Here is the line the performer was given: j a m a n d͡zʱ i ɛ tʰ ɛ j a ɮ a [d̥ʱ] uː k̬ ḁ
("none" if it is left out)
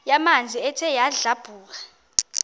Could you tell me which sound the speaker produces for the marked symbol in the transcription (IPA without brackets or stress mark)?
b̥ʱ